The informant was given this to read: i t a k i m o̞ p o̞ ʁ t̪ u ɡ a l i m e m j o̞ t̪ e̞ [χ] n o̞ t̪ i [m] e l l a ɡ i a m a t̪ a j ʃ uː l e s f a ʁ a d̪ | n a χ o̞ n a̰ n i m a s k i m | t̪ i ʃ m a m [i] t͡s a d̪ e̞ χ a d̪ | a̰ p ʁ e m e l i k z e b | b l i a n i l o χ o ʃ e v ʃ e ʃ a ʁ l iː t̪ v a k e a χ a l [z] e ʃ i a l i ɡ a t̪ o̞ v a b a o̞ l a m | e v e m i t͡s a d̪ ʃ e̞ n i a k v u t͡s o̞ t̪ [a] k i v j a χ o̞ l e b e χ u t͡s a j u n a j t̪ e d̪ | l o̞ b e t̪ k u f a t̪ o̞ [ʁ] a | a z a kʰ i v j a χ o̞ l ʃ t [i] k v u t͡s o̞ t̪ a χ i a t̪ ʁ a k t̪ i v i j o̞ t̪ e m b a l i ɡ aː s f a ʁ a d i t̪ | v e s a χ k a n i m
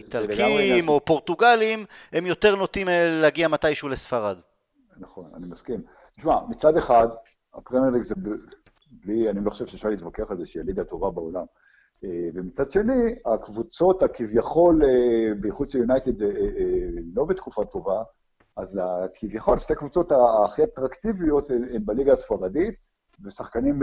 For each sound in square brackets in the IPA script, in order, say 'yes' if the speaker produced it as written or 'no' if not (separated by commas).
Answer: no, yes, yes, yes, yes, no, no